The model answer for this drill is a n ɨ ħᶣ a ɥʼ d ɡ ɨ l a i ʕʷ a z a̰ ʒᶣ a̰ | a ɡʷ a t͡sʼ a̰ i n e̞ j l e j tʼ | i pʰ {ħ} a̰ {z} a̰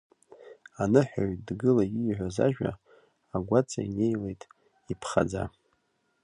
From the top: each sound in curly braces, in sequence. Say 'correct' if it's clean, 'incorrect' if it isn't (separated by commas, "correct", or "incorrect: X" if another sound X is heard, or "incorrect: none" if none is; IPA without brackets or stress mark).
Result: incorrect: χ, incorrect: d͡z